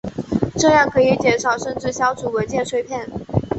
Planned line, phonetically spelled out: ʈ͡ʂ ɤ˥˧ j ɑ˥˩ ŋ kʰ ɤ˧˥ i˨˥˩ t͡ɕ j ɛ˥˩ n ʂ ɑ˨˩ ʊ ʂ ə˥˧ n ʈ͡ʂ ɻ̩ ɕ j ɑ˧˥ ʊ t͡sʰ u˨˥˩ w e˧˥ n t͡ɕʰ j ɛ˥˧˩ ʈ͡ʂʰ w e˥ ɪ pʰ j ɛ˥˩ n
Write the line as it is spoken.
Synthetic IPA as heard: ʈ͡ʂ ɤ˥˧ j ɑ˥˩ ŋ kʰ ɤ˧˥ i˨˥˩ t͡ɕ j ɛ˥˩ n ʂ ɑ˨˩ ʊ ʂ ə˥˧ n ʈ͡ʂ ɻ̩ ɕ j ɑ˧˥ ʊ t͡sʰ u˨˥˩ w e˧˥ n t͡ɕ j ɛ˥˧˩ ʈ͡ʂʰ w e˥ ɪ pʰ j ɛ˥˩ n